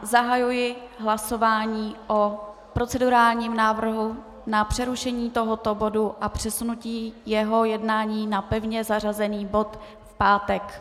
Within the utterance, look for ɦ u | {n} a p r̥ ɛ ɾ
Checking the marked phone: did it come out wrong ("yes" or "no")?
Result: no